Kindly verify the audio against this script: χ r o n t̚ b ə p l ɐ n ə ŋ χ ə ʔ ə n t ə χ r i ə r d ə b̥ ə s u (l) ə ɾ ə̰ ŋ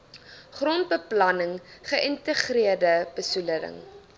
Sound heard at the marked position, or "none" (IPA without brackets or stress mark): l